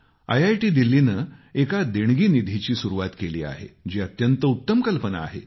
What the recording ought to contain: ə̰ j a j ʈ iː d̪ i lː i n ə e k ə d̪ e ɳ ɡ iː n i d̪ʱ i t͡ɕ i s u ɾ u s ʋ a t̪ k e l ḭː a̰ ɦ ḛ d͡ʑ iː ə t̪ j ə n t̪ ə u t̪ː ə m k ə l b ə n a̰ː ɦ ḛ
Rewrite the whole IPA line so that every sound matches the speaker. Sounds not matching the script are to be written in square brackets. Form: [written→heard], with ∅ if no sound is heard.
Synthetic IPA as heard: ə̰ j a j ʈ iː d̪ i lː i n ə e k [ə→a] d̪ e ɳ ɡ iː n i d̪ʱ i t͡ɕ [i→iː] s u ɾ u [s→∅] ʋ a t̪ k e l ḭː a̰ ɦ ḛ d͡ʑ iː ə t̪ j ə n t̪ ə u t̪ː ə m k ə l [b→p] ə n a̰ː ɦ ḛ